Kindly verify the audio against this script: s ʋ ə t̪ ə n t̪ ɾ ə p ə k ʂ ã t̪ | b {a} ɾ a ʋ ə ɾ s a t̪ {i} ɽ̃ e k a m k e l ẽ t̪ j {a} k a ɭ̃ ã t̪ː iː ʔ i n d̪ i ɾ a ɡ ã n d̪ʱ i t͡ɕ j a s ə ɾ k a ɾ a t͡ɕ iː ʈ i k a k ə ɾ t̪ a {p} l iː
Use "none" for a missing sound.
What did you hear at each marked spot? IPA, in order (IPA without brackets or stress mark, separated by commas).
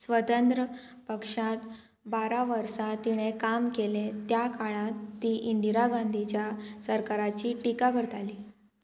a, i, a, none